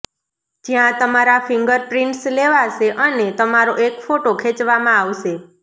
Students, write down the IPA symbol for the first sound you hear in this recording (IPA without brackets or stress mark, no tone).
d͡ʒ